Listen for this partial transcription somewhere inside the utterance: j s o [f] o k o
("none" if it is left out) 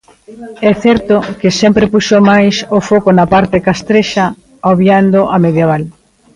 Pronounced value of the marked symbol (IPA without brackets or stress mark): f